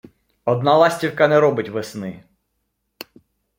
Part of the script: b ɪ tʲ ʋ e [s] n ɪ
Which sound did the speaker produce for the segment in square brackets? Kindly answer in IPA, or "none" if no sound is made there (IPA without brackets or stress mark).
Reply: s